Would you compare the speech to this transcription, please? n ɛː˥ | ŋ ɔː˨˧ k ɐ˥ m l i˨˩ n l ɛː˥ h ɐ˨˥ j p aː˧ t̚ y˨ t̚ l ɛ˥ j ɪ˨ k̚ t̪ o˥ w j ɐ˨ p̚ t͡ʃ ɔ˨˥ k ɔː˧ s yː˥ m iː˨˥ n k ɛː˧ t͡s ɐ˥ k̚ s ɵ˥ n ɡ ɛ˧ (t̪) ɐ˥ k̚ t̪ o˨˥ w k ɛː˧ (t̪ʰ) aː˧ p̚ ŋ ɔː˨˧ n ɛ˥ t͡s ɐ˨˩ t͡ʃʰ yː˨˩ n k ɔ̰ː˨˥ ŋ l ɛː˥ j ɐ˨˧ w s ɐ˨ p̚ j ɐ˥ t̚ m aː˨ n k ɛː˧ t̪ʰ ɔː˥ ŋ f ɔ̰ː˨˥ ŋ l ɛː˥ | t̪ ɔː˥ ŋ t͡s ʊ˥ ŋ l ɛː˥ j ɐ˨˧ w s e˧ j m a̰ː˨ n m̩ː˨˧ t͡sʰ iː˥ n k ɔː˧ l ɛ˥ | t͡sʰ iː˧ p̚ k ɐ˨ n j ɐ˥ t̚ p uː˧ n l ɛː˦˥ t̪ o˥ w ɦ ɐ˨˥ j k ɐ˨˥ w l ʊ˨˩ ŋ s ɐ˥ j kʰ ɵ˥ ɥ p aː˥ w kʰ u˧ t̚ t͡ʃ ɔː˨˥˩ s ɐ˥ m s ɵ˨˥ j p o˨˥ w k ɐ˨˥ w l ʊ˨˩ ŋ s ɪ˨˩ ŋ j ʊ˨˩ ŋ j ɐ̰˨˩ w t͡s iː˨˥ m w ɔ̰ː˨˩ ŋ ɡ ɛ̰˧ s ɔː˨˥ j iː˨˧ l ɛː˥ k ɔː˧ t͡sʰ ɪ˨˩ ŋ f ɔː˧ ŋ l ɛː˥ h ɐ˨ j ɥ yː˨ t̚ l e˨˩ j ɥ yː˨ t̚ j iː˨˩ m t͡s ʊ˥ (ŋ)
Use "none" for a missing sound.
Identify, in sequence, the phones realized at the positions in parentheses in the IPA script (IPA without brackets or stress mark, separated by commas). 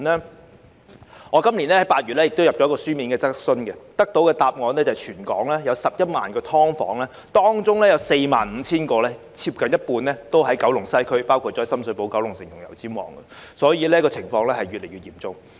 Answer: t̪, t̪, ŋ